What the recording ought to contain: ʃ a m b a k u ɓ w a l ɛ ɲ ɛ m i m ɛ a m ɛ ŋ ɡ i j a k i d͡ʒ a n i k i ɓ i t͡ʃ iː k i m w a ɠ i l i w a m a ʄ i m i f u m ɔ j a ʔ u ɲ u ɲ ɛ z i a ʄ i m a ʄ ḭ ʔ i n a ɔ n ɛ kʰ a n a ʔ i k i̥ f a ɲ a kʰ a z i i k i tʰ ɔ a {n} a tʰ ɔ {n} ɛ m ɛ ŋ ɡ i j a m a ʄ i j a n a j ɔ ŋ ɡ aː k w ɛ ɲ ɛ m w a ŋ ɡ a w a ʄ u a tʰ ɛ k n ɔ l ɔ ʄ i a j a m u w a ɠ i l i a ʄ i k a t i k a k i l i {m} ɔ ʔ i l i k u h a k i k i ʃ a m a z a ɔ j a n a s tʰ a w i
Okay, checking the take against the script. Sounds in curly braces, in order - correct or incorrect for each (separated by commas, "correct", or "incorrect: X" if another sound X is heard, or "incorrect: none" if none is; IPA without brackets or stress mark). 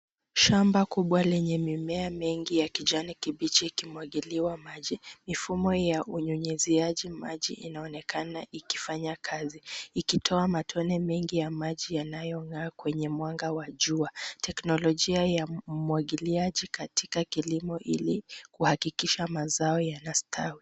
incorrect: m, correct, correct